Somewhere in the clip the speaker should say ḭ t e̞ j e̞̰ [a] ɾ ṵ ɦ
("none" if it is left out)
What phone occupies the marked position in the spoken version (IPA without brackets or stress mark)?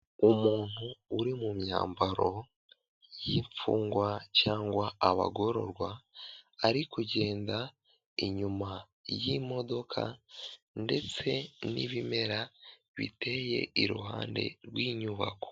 i